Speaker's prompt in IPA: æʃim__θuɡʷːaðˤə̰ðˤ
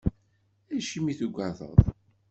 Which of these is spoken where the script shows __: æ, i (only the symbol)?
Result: i